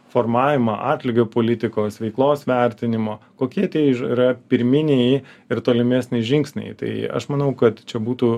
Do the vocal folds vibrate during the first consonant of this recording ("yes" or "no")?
no